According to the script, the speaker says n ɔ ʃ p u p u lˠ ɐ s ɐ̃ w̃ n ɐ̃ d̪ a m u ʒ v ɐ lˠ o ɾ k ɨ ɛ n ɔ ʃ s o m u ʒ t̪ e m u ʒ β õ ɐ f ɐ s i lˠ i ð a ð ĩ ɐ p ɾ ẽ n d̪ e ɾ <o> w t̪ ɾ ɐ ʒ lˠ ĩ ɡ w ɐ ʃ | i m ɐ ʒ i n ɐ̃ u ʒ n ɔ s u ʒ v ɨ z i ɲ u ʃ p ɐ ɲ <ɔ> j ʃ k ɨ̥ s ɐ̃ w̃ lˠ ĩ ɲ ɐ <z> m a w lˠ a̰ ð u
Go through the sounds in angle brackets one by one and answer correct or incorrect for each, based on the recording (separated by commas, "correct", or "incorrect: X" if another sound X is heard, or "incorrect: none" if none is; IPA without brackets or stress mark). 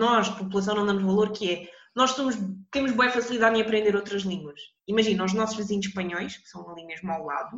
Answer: correct, correct, incorrect: ʒ